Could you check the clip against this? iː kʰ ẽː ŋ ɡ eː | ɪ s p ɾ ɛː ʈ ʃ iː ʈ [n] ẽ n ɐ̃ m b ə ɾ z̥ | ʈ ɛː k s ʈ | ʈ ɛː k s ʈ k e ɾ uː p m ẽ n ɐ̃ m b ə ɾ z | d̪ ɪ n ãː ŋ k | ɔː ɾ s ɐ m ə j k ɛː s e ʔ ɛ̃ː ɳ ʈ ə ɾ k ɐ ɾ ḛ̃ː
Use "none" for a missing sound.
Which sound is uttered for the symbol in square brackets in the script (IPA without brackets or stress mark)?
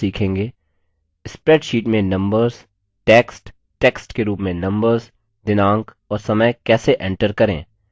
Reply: m